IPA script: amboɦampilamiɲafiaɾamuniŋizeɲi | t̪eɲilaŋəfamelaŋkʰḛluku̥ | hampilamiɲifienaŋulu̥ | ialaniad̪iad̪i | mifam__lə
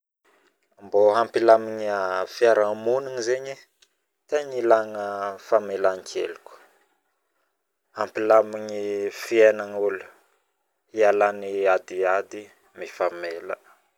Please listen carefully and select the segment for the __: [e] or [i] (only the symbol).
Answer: e